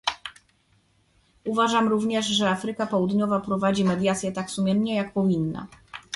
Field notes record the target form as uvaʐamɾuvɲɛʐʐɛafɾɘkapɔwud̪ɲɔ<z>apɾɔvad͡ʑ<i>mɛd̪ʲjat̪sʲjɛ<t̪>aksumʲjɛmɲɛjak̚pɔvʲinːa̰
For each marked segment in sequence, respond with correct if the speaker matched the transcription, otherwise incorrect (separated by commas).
incorrect, correct, correct